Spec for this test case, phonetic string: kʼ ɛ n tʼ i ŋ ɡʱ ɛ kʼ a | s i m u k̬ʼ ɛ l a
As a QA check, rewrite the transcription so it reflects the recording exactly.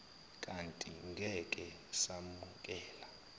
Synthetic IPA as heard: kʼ a n tʼ i ŋ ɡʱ ɛ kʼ ɛ | s a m u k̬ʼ ɛː l a